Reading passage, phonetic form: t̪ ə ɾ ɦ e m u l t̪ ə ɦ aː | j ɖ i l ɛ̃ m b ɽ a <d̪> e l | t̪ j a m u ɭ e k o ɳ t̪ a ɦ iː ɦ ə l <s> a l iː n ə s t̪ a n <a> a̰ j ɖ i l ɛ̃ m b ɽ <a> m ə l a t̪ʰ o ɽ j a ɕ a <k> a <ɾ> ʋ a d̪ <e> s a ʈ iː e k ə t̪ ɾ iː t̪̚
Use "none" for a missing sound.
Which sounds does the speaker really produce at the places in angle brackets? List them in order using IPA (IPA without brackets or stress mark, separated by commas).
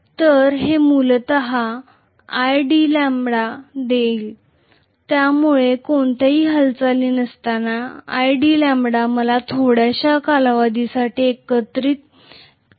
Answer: d̪, t͡s, a, a, k, l, i